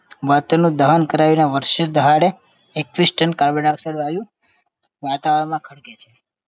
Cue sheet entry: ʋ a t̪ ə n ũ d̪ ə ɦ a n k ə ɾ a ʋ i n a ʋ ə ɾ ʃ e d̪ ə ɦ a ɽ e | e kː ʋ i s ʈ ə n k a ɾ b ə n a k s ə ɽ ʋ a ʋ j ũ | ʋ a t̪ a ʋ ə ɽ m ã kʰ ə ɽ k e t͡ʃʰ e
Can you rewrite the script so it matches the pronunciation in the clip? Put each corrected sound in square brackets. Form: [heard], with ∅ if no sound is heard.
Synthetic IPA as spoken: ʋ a t̪ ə n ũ d̪ ə ɦ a n k ə ɾ a ʋ i n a ʋ ə ɾ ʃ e d̪ ə ɦ a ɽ e | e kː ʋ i s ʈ ə n k a ɾ b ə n a k s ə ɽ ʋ a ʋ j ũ | ʋ a t̪ a ʋ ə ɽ m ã kʰ ə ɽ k e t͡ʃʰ e